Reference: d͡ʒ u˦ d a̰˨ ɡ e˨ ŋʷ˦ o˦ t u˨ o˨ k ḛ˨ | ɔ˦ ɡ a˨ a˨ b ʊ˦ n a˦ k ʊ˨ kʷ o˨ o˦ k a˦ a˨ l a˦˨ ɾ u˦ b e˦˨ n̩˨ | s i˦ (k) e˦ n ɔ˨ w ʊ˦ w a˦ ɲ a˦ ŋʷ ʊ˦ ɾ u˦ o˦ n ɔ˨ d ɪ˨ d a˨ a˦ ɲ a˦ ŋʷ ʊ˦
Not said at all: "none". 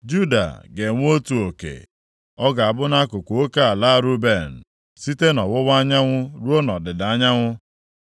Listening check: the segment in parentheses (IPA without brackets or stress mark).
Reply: t